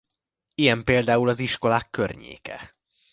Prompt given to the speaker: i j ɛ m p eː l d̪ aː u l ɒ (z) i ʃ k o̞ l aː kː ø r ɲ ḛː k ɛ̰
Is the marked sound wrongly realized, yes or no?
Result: no